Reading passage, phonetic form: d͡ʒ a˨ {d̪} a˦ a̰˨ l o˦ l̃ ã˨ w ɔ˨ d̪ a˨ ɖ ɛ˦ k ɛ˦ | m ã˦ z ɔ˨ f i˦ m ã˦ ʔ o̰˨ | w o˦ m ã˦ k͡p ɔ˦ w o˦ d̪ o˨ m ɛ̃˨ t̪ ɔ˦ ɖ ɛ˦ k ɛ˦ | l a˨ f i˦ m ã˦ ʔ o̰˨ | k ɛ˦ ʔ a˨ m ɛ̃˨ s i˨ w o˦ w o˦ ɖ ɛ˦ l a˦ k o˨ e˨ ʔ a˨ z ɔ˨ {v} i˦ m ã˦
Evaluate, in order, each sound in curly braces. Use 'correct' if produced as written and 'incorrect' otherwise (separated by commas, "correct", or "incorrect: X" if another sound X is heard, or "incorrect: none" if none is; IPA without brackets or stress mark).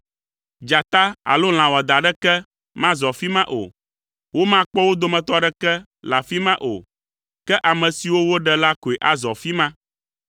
incorrect: t̪, incorrect: f